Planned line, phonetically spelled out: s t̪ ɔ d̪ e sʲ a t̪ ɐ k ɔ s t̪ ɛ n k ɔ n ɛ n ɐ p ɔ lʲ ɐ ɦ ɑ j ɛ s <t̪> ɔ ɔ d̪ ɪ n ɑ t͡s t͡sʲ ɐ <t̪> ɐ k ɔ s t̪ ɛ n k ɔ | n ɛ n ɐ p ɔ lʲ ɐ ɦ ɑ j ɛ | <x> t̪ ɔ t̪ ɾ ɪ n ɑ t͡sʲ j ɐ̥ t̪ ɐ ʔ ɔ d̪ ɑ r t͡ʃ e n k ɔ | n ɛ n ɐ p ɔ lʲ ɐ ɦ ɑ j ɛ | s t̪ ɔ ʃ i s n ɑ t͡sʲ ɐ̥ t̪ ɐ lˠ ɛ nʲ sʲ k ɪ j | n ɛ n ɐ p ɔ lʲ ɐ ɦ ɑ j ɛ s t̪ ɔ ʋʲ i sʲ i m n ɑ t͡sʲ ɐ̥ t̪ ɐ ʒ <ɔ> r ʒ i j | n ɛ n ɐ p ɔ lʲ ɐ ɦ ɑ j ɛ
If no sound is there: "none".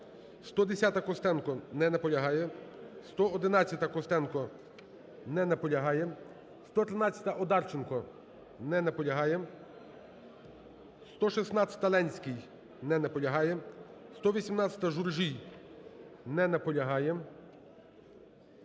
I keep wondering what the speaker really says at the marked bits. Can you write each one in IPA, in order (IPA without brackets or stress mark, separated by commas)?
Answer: t̪, t̪, s, u